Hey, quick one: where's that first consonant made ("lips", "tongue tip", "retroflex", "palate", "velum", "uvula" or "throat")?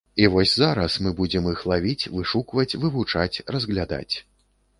lips